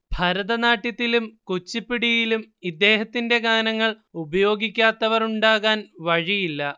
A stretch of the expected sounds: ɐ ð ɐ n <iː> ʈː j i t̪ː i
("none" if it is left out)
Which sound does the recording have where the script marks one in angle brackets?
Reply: aː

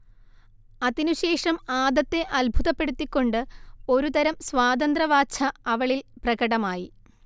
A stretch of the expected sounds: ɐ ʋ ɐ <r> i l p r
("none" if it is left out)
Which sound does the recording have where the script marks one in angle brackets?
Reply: ɭ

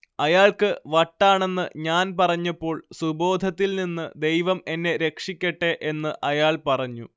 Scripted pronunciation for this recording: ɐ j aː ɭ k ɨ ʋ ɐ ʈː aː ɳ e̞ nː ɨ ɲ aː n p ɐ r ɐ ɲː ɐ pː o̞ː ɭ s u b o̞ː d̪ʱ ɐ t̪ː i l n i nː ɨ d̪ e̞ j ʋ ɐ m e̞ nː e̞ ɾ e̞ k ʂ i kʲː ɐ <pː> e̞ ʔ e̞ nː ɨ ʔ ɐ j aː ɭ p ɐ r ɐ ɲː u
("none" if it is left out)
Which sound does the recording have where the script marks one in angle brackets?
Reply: ʈː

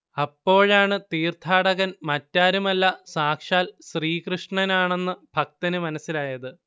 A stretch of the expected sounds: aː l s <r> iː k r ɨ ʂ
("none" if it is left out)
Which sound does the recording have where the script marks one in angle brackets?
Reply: r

